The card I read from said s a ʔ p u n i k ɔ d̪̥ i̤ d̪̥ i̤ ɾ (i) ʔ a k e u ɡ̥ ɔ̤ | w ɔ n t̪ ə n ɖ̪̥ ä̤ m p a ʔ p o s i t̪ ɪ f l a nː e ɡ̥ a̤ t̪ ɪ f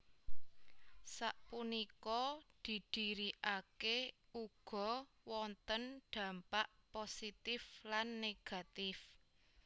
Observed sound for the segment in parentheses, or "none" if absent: i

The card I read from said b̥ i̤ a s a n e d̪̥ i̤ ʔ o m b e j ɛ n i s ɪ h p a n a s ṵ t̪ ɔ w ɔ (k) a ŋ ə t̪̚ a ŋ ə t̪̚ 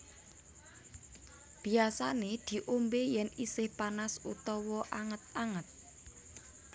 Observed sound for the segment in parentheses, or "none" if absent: ʔ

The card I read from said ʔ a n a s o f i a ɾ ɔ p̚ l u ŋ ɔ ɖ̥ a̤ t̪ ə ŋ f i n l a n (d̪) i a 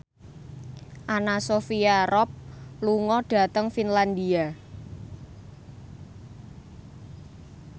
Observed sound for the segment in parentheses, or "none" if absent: d̪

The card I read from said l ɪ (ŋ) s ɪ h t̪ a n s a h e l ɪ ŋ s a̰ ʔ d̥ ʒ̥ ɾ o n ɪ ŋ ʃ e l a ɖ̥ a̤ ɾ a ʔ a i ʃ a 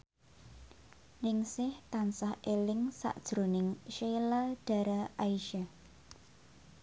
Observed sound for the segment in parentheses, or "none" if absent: ŋ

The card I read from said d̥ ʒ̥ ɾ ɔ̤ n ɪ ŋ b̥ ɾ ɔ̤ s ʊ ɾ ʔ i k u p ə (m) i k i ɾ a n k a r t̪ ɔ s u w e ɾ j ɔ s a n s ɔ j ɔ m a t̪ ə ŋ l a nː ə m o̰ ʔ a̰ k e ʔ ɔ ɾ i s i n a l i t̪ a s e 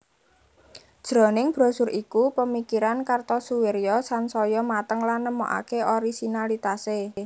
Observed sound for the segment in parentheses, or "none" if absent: m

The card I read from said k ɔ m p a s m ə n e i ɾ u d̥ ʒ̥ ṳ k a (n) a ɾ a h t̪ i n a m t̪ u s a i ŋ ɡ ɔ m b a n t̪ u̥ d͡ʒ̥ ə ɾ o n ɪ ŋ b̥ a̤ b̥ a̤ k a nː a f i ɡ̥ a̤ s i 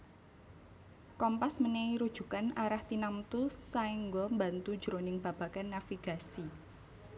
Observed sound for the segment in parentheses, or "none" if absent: n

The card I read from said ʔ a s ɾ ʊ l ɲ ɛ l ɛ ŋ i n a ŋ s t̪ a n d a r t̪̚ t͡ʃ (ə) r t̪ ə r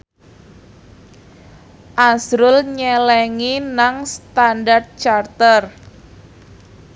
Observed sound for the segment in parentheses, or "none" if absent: a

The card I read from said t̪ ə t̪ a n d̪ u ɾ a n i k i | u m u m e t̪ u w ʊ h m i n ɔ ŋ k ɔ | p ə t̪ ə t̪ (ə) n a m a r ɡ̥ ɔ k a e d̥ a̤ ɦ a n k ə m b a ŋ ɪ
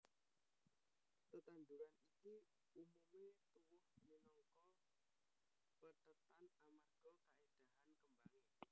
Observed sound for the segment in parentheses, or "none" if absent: a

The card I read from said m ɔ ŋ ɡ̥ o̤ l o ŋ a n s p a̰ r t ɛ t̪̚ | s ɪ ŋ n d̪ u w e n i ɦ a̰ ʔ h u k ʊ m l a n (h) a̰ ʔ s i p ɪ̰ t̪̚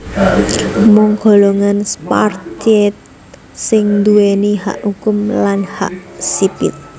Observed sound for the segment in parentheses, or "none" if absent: h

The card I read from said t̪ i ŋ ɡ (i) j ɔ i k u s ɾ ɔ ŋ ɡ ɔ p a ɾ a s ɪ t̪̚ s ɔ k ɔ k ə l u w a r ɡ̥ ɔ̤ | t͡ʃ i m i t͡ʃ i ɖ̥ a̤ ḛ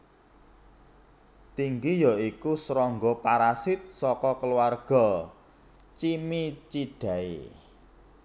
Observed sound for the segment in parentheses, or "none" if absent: i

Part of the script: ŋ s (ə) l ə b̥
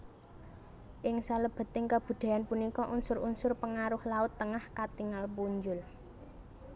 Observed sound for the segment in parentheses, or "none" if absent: a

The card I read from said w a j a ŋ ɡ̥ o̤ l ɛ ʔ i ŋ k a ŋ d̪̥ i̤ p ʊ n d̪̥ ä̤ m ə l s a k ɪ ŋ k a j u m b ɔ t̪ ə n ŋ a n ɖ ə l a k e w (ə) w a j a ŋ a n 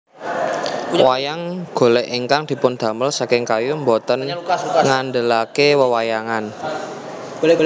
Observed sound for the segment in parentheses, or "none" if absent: ə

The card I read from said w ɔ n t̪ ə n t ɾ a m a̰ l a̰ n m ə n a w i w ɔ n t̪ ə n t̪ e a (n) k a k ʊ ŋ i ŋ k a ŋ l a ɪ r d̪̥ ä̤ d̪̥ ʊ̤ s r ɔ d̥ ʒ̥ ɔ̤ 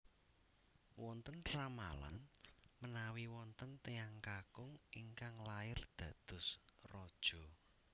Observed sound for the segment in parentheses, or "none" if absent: ŋ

